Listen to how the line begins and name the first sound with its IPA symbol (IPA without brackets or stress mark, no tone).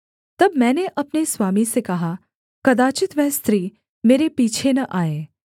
t̪